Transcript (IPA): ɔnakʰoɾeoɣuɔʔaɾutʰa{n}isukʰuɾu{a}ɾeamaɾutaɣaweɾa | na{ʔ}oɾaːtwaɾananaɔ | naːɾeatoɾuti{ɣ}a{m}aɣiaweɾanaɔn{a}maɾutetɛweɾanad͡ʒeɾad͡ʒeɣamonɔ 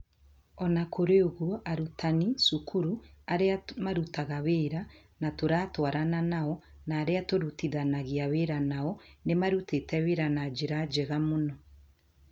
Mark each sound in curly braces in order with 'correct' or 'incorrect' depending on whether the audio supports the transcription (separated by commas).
correct, correct, incorrect, incorrect, incorrect, incorrect